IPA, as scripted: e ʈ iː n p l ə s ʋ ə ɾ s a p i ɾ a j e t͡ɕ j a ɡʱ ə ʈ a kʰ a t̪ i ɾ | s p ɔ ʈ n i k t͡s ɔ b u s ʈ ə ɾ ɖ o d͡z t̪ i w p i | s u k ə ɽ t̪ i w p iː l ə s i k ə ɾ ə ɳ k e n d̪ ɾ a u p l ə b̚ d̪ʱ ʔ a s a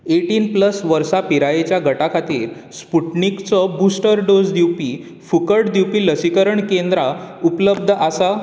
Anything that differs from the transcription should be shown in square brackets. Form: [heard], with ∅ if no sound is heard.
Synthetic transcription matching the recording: e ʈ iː n p l ə s ʋ ə ɾ s a p i ɾ a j e t͡ɕ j a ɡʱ ə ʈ a kʰ a t̪ [iː] ɾ | s p [u] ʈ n i k t͡s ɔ b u s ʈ ə ɾ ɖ o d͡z [d̪] i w p i | [f] u k ə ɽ [d̪] i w p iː l ə s i k ə ɾ ə ɳ k e n d̪ ɾ a u p l ə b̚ d̪ʱ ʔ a s a